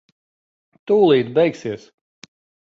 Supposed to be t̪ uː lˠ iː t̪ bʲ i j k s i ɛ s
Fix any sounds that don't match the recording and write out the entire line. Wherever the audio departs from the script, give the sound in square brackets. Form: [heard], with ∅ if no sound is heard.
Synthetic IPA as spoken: t̪ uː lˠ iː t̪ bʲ [ɛ] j k s i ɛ s